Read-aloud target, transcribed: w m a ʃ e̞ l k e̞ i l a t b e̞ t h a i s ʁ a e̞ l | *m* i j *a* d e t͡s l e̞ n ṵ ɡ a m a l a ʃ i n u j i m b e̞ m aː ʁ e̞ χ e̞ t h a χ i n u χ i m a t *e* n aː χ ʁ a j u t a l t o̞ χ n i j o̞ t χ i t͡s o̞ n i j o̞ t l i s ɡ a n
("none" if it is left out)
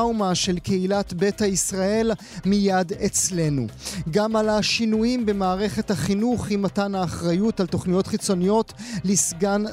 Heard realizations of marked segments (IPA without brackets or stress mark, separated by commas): m, a, a